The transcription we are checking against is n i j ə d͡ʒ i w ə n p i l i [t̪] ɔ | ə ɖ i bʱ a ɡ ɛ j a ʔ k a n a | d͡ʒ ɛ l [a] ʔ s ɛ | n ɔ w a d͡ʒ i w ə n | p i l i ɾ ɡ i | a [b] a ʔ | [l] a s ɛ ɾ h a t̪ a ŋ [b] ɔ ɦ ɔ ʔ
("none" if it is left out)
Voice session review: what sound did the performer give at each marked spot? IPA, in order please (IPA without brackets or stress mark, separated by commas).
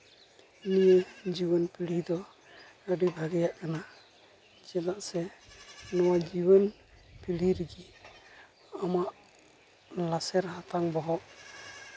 d̪, a, m, l, b